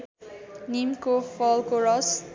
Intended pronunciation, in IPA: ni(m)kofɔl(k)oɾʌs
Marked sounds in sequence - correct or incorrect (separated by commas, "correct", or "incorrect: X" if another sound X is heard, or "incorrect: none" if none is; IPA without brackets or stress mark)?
correct, correct